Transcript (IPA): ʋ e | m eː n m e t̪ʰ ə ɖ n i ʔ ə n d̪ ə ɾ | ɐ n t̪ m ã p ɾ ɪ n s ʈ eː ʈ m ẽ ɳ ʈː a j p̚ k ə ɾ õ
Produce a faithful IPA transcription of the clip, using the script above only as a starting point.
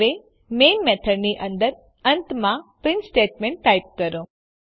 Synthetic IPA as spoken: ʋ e | m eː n m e t̪ʰ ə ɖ n i ʔ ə n d̪ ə ɾ | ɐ n t̪ m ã p ɾ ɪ n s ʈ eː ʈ m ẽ ɳ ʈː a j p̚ k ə ɾ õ

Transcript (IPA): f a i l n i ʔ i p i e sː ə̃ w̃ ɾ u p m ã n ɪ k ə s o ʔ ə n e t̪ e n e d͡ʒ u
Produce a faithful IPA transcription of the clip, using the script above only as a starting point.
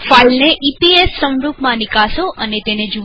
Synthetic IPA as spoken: f a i l n e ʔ i p i e sː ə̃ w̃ ɾ u p m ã n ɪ k a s o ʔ ə n e t̪ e n e d͡ʒ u

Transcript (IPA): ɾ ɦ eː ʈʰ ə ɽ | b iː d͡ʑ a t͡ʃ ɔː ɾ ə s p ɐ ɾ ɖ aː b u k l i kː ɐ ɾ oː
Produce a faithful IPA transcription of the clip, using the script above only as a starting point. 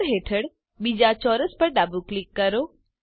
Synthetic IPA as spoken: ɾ ɦ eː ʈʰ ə ɽ | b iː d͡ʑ a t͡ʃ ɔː ɾ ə s p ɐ ɾ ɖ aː b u k l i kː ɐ ɾ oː

